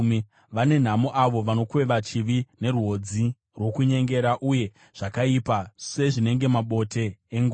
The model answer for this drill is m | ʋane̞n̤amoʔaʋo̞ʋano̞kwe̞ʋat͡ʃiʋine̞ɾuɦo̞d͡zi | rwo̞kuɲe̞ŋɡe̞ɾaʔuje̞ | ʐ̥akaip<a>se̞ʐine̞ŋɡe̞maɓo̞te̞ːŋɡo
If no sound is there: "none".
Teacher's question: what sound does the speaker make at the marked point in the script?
a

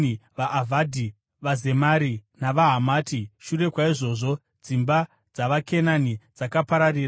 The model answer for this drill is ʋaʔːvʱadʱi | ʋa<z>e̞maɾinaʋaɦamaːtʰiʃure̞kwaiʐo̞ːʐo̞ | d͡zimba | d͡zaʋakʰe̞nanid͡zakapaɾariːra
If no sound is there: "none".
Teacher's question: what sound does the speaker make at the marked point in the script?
z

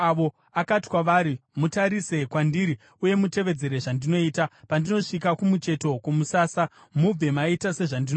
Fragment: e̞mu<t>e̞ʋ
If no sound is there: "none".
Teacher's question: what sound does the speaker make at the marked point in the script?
t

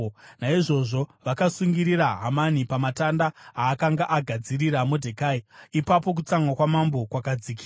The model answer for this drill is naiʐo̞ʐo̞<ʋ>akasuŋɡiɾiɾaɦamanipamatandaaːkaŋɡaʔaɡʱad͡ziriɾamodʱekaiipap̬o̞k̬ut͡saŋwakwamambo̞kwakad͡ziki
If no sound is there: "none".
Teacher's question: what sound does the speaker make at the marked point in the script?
ʋ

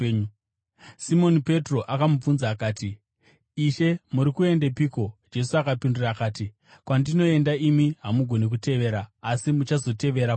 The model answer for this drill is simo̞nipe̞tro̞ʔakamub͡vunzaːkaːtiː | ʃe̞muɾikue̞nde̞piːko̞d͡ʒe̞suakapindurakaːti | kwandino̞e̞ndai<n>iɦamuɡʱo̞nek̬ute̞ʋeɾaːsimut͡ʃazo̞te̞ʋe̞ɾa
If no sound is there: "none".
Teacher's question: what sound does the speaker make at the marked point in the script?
m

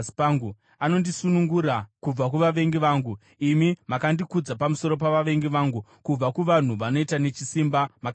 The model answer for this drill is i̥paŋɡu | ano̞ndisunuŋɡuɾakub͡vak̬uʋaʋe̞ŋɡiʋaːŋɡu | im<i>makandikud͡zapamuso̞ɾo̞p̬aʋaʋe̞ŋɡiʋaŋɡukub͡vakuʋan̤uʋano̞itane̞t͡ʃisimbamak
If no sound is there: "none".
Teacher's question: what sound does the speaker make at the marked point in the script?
i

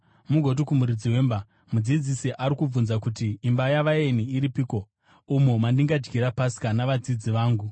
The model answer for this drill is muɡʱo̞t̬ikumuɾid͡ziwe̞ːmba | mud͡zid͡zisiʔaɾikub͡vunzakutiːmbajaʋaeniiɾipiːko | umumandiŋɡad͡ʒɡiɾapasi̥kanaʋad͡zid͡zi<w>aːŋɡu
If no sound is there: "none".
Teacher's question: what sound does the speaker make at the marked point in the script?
ʋ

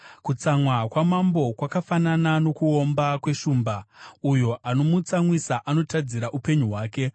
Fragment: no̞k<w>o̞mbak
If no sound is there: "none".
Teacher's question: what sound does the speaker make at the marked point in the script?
u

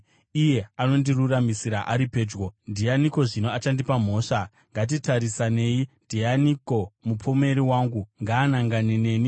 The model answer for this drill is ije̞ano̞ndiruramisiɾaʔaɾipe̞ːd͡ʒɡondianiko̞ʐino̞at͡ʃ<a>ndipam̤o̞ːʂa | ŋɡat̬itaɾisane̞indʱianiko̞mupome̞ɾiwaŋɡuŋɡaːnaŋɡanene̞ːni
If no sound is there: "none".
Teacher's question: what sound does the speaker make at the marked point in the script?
a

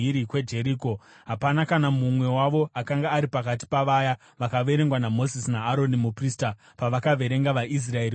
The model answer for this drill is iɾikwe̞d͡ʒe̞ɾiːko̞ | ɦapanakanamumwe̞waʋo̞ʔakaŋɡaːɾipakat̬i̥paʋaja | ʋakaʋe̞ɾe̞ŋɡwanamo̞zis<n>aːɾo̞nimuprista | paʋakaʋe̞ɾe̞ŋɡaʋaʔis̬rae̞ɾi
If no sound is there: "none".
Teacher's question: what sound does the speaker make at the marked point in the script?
n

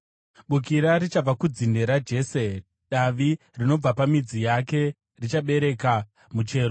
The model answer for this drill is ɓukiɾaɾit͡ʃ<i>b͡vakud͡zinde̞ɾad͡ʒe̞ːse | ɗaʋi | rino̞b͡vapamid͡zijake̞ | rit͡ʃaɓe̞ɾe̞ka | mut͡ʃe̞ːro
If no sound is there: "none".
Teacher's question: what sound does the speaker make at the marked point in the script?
a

